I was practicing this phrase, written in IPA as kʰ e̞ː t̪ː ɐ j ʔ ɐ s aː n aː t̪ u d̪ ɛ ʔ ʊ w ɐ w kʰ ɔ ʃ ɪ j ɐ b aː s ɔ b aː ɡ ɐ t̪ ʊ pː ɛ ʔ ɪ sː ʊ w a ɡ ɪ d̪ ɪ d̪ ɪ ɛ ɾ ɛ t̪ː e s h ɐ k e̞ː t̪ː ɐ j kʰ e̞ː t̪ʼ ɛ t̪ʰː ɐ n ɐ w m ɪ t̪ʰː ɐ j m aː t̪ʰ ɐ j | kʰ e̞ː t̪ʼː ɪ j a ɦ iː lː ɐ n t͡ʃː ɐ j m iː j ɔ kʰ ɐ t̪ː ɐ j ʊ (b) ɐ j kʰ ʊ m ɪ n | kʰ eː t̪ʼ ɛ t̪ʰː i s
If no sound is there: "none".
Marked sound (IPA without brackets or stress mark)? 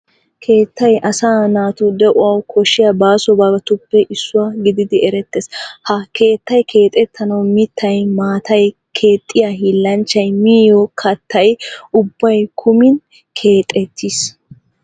bː